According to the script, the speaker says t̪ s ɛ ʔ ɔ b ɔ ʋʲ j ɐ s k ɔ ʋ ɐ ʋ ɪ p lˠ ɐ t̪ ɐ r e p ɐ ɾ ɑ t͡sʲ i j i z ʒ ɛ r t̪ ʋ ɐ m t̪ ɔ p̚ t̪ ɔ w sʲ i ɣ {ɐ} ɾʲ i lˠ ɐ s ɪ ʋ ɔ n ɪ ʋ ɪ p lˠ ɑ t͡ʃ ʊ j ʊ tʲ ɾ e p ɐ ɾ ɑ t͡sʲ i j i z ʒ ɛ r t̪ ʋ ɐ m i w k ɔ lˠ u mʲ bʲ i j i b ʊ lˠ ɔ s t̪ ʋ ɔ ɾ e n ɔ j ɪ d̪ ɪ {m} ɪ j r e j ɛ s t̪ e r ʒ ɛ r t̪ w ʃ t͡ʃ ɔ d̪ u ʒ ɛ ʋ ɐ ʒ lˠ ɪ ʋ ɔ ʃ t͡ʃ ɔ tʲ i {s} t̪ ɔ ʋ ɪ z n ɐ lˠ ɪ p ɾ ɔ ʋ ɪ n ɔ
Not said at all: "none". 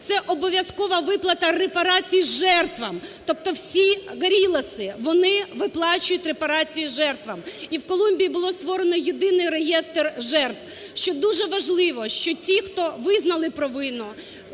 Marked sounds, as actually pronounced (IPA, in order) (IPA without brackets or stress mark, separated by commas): ɐ, n, x